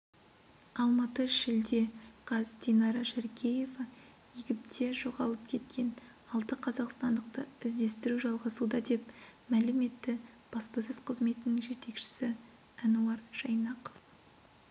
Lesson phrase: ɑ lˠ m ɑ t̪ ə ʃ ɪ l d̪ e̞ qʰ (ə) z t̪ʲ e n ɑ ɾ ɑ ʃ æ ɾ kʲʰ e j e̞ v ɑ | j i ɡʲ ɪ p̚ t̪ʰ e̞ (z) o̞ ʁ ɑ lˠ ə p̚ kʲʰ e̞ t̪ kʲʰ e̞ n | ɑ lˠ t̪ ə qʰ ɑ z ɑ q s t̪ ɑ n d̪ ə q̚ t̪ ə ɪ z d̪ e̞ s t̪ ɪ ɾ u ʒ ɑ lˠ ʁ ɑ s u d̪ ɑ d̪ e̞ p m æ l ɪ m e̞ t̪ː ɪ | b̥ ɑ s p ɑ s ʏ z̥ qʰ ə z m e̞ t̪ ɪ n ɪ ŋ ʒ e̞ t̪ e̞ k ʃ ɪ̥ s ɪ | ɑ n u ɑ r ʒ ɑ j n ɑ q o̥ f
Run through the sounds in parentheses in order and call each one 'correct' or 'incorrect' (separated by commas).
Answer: incorrect, incorrect